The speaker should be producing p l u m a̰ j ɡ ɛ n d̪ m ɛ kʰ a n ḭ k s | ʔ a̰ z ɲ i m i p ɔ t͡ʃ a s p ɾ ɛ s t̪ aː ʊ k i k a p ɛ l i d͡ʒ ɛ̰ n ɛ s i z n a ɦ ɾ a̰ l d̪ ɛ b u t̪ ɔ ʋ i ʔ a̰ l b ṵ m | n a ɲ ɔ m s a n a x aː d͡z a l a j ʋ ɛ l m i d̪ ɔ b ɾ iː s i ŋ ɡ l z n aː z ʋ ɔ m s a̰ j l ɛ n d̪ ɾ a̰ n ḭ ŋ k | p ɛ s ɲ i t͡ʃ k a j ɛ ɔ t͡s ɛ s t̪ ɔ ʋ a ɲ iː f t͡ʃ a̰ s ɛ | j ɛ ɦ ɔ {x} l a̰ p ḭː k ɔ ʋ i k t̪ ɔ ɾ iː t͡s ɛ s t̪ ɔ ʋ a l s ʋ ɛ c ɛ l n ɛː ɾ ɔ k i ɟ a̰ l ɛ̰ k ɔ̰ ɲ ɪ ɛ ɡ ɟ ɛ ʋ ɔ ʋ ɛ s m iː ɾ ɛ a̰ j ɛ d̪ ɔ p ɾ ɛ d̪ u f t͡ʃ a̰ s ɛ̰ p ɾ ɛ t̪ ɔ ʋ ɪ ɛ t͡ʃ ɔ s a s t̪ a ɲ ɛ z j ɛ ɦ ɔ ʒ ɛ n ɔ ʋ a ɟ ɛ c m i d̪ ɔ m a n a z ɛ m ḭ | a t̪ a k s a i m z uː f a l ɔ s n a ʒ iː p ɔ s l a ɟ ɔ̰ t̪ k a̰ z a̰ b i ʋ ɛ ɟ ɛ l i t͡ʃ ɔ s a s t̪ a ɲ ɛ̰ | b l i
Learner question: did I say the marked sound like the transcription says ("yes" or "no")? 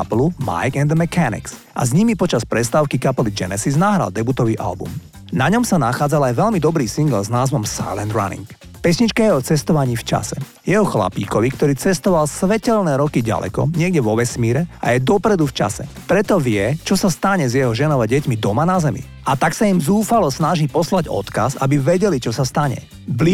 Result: yes